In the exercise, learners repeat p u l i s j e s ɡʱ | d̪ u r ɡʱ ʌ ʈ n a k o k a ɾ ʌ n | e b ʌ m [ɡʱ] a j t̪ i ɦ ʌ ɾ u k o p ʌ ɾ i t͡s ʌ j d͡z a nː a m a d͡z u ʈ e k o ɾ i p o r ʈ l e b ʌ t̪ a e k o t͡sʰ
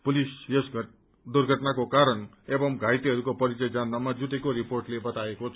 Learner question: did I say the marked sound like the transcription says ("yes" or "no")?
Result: yes